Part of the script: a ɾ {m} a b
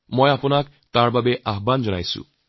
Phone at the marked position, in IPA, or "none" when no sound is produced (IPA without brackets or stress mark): b